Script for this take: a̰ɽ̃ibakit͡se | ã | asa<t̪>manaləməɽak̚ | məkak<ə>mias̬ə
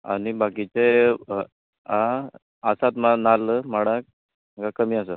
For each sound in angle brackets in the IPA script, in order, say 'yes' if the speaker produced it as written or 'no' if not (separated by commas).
yes, yes